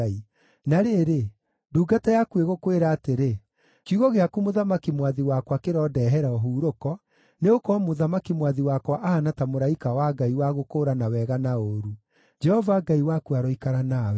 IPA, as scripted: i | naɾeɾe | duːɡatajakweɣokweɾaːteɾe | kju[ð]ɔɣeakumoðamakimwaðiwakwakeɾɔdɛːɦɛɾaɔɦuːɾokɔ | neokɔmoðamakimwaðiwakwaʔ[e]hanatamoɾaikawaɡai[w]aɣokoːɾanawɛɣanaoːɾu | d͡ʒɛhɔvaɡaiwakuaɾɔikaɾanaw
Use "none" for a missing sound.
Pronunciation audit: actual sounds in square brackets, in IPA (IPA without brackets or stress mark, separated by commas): ɣ, a, w